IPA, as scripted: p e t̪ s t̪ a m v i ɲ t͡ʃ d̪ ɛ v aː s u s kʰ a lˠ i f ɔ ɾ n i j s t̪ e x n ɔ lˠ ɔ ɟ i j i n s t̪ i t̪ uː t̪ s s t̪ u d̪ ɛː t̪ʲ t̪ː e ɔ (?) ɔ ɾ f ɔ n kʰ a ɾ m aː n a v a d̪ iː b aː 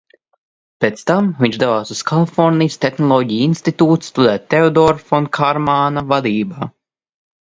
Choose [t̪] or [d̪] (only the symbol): d̪